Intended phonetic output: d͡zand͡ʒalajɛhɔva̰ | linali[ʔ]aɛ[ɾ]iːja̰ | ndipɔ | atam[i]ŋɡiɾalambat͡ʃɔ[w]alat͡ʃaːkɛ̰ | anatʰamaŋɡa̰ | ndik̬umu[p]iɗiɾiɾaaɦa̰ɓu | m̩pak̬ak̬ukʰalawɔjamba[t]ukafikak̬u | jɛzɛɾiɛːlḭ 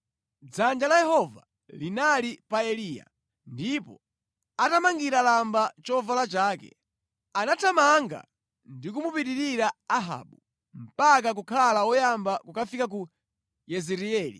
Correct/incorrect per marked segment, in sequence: incorrect, incorrect, incorrect, incorrect, correct, incorrect

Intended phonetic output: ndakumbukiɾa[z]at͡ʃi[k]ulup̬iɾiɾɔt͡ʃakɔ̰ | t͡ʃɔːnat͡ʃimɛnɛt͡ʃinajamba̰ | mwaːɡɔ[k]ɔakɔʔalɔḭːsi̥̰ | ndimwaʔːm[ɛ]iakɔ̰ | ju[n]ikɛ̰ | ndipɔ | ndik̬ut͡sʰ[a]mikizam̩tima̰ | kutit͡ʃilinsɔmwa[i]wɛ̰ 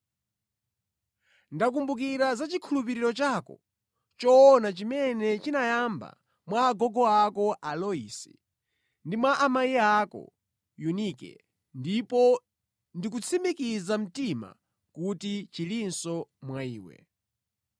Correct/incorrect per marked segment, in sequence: correct, incorrect, incorrect, incorrect, correct, incorrect, incorrect

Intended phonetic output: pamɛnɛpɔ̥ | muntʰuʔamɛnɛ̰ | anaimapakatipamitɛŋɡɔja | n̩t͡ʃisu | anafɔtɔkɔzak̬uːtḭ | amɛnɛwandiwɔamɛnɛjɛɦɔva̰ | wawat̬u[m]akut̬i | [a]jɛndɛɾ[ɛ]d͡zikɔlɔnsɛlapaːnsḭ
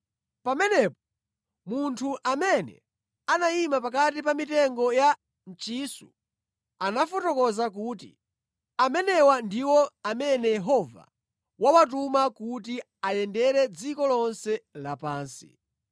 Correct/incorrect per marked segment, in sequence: correct, correct, correct

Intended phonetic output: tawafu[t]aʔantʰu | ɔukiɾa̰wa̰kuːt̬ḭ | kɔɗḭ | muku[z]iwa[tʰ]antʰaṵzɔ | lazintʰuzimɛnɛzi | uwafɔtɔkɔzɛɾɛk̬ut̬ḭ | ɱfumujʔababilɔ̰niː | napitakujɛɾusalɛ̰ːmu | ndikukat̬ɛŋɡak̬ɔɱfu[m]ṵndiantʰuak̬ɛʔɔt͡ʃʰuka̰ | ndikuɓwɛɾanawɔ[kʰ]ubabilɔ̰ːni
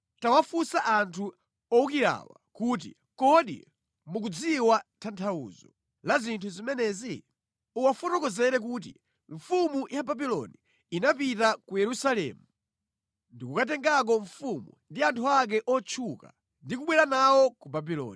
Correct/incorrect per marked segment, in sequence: incorrect, incorrect, correct, correct, incorrect

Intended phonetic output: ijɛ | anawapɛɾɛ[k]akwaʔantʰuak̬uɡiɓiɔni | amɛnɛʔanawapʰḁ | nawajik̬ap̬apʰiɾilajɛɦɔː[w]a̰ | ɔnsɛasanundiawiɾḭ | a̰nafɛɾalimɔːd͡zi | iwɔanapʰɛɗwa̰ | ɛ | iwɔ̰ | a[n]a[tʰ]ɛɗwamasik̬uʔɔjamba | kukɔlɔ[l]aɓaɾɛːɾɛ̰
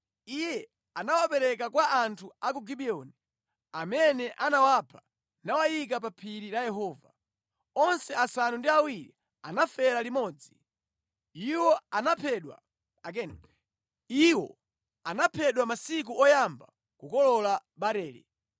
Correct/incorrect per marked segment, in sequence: correct, incorrect, correct, incorrect, correct

